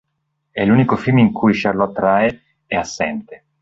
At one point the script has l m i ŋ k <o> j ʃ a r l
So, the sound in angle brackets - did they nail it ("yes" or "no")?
no